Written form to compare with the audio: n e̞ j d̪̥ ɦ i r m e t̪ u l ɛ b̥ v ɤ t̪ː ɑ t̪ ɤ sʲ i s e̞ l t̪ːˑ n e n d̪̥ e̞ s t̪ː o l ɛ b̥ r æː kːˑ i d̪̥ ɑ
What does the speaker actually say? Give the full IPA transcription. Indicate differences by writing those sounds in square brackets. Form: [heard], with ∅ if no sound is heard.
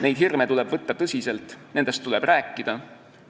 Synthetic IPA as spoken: n e̞ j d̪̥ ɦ i r m e t̪ u l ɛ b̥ v ɤ t̪ː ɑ t̪ ɤ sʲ i s e̞ l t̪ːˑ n e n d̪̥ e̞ s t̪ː [u] l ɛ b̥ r æː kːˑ i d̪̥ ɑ